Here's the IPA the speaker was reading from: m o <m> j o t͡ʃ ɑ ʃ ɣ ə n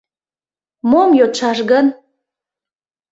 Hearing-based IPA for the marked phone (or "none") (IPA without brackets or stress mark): m